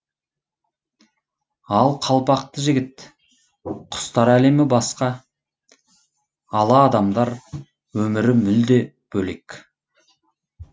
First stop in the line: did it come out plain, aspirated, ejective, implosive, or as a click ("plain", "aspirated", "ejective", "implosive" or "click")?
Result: aspirated